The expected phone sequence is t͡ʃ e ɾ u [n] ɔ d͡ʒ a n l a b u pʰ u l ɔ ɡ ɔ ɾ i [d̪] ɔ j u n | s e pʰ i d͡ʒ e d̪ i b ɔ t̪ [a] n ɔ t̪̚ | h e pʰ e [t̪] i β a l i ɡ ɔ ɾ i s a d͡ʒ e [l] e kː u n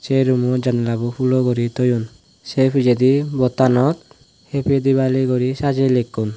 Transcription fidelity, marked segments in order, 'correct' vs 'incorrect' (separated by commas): incorrect, incorrect, correct, incorrect, correct